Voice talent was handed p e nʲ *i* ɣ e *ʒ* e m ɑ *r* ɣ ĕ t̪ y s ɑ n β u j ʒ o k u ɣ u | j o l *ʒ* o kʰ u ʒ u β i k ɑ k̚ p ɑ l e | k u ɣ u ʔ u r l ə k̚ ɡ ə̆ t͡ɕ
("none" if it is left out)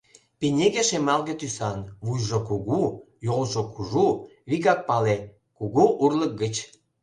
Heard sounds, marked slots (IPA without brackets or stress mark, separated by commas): e, ʃ, l, ʒ